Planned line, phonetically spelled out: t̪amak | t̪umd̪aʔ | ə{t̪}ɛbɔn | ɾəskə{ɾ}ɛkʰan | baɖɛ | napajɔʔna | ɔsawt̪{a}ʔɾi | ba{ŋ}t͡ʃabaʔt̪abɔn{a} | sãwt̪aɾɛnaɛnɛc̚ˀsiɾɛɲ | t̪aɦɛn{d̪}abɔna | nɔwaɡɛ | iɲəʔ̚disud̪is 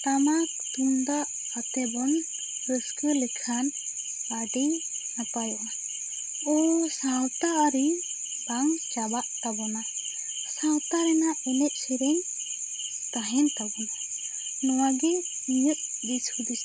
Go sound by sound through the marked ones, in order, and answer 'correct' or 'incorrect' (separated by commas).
correct, incorrect, correct, correct, correct, incorrect